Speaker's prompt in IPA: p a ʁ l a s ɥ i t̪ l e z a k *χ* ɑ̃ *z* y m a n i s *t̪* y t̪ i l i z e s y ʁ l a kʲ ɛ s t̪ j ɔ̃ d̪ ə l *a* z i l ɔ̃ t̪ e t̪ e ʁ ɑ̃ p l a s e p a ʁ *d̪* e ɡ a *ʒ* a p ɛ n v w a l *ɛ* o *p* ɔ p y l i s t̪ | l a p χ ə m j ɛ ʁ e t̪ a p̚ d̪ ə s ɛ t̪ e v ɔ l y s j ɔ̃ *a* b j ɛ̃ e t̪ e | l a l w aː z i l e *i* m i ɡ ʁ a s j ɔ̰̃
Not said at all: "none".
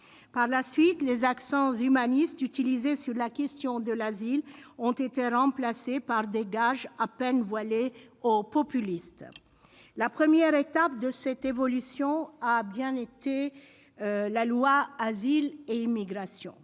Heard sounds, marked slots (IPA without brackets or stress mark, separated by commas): s, z, t̪, a, d̪, ʒ, e, p, a, i